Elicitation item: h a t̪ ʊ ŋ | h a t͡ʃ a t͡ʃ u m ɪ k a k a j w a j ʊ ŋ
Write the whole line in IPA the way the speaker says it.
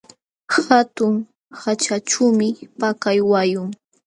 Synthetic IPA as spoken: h a t̪ ʊ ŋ | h a t͡ʃ a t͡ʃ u m ɪ p a k a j w a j ʊ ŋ